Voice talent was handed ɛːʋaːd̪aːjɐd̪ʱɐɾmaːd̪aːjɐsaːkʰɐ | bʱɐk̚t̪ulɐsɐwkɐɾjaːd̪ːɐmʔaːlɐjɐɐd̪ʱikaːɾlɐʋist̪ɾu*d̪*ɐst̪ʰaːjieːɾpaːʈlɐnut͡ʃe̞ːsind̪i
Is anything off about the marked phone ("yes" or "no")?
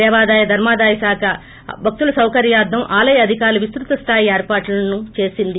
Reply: yes